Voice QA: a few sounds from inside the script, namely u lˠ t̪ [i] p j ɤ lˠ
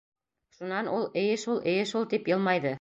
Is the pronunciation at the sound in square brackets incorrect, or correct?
correct